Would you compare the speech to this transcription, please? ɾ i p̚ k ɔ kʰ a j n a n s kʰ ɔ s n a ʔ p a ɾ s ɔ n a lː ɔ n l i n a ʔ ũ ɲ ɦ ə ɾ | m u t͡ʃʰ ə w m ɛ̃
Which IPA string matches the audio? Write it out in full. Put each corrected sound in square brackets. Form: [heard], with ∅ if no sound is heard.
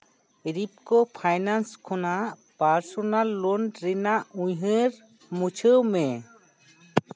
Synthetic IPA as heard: ɾ i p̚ k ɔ [pʰ] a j n a n s kʰ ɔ [∅] n a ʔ p a ɾ s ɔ n a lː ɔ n [ɾ] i n a ʔ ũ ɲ ɦ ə ɾ | m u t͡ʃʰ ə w m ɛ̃